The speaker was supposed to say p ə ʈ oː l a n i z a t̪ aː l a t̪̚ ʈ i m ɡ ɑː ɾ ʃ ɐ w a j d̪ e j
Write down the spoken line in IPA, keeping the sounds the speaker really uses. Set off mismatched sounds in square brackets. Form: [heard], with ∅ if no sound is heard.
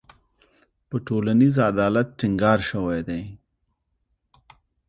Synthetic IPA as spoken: p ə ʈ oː l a n i z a [d̪] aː l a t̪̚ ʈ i [ŋ] ɡ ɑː ɾ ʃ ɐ w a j d̪ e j